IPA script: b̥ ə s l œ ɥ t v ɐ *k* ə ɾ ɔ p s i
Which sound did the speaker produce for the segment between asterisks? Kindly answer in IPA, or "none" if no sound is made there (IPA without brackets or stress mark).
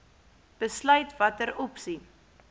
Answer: t